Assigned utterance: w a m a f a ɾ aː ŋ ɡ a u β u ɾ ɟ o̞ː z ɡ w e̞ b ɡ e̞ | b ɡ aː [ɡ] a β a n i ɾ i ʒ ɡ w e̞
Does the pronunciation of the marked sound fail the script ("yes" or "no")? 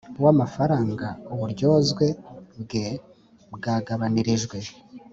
no